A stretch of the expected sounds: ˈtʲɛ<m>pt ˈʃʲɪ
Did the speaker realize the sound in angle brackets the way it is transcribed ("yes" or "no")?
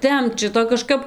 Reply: yes